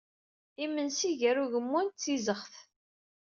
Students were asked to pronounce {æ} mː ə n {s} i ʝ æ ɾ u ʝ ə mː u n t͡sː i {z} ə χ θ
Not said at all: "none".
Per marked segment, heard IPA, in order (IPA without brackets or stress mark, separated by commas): i, s, z